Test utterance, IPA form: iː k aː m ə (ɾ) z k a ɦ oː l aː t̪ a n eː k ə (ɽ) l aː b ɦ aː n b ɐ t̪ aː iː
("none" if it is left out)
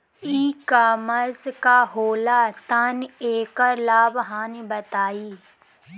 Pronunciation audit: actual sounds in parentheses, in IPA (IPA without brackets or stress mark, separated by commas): ɾ, ɾ